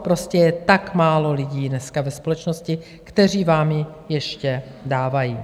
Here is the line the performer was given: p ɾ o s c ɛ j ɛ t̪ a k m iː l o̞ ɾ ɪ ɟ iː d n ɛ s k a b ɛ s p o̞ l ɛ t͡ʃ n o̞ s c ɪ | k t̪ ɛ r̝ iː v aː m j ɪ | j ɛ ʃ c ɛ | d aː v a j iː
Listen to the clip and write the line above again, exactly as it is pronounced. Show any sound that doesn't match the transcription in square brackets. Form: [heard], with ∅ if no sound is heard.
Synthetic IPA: p ɾ o s c ɛ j ɛ t̪ a k m [aː] l o̞ [l] ɪ ɟ iː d n ɛ s k a [v] ɛ s p o̞ l ɛ t͡ʃ n o̞ s c ɪ | k t̪ ɛ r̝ iː v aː m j ɪ | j ɛ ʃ c ɛ | d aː v a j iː